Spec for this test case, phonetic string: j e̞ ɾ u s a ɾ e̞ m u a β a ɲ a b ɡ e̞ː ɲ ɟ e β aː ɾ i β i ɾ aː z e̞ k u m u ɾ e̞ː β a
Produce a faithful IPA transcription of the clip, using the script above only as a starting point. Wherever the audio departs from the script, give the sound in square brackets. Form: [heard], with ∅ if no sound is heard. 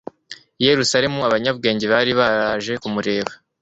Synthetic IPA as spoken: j e̞ ɾ u s a ɾ e̞ m u a β a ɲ a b ɡ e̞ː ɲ ɟ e β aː ɾ i β [a] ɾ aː [ʒ] e̞ k u m u ɾ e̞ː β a